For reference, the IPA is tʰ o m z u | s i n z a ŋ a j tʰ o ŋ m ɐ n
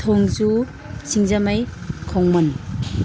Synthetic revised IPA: tʰ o ŋ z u | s i ŋ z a m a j kʰ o ŋ m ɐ n